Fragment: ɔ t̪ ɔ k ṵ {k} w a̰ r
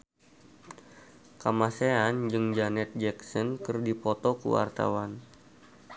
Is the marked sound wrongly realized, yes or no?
yes